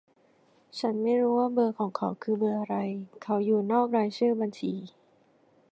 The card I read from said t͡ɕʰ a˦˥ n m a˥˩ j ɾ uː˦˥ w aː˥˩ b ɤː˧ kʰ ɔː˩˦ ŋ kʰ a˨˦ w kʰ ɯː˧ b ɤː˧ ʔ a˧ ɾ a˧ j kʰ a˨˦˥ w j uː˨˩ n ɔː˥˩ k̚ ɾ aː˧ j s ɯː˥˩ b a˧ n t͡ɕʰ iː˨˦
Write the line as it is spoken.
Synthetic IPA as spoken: t͡ɕʰ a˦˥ n m a˥˩ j ɾ uː˦˥ w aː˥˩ b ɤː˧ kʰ ɔː˩˦ ŋ kʰ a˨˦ w kʰ ɯː˧ b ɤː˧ ʔ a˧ ɾ a˧ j kʰ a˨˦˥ w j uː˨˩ n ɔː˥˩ k̚ ɾ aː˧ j s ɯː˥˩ b a˧ n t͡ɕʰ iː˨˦